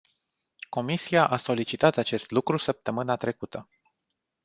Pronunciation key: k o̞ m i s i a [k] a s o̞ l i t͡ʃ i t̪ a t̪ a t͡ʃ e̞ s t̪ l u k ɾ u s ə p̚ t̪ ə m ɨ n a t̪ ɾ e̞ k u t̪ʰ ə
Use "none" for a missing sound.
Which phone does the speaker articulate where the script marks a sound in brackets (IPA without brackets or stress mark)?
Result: ʔ